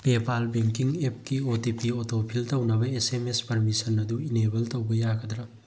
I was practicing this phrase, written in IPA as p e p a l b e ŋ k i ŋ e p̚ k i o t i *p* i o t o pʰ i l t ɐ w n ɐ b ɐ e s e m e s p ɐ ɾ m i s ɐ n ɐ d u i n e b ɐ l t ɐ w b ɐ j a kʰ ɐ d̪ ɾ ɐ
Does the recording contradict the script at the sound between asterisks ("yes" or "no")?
no